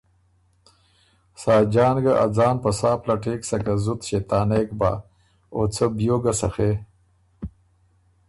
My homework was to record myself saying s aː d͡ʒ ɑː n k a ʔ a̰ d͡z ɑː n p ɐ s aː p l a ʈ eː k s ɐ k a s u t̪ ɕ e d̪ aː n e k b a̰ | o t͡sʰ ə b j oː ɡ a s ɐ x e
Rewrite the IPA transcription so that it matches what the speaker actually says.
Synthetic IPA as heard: s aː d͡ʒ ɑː n ɡ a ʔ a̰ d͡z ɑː n p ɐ s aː p l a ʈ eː k s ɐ k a z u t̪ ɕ e t̪ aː n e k b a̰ | o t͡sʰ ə b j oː ɡ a s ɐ x e